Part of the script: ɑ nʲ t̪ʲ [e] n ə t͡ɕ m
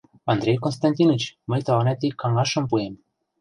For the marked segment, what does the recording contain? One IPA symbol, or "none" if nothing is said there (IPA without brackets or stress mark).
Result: i